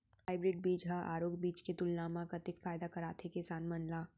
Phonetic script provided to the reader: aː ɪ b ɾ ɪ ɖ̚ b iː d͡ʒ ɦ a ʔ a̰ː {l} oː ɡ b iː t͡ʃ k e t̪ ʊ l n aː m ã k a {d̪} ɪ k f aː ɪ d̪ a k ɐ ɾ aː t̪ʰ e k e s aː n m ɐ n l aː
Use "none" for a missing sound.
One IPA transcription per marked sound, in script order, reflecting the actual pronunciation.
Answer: ɾ, t̪

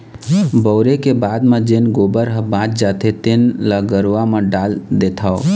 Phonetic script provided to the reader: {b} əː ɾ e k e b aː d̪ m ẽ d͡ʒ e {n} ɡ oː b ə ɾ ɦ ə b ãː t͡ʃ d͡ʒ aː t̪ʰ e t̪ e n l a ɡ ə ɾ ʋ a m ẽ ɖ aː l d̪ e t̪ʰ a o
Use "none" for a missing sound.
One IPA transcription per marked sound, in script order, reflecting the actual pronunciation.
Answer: b, n

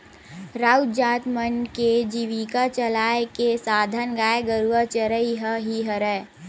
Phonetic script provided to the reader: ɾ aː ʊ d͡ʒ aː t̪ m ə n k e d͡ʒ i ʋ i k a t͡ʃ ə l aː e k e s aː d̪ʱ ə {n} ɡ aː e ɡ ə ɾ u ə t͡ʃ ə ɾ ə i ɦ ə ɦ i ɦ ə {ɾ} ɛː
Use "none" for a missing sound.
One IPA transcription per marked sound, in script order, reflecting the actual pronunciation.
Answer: n, ɾ

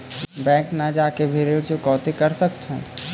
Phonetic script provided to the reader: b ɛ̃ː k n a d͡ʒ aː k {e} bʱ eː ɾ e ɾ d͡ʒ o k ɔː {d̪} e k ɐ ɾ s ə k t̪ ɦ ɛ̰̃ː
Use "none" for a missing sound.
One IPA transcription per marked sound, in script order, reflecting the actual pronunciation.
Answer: e, t̪

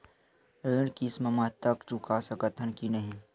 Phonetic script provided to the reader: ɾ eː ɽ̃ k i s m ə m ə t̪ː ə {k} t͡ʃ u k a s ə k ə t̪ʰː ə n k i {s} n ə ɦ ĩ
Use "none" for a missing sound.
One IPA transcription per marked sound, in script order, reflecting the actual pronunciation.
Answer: k, none

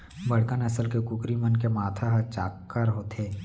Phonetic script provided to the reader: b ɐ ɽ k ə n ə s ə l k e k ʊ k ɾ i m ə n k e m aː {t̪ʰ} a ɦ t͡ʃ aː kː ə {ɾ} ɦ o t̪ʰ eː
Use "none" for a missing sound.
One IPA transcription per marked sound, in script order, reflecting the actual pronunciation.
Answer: t̪ʰ, ɾ

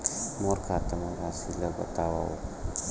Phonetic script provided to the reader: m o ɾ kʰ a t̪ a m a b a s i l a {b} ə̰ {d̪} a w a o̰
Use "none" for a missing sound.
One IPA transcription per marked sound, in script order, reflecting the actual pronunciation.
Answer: b, t̪

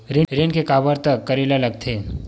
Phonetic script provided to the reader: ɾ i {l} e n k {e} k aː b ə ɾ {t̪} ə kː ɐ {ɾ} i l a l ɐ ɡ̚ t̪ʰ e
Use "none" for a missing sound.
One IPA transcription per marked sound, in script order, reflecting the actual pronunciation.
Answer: ɾ, e, t̪, ɾ

